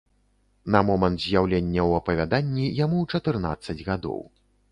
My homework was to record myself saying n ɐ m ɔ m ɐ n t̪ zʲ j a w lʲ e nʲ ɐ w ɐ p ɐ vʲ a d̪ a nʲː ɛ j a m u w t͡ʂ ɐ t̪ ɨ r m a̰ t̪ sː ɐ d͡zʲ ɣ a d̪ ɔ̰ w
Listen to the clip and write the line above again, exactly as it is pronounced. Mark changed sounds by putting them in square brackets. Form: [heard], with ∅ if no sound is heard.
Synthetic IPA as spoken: n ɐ m ɔ m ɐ n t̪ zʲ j a w lʲ e [nʲː] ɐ w ɐ p ɐ vʲ a d̪ a nʲː [i] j a m u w t͡ʂ ɐ t̪ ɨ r [n] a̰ t̪ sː ɐ d͡zʲ ɣ a d̪ ɔ̰ w